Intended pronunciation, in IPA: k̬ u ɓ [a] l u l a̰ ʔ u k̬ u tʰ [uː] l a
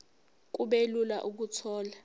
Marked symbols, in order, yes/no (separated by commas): no, no